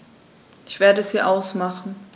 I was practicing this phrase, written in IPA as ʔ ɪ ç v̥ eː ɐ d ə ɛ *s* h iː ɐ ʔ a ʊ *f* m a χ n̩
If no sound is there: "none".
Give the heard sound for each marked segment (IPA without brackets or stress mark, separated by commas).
s, s